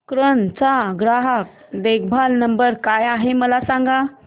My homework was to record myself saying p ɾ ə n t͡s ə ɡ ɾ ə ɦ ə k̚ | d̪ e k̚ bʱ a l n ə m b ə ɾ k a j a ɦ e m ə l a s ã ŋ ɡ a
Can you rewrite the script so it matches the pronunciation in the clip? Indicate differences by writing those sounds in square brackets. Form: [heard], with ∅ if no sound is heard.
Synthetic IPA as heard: [k] ɾ ə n t͡s [a] ɡ ɾ [a] ɦ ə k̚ | d̪ e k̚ bʱ a l n ə m b ə ɾ k a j a ɦ e m ə l a s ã ŋ ɡ a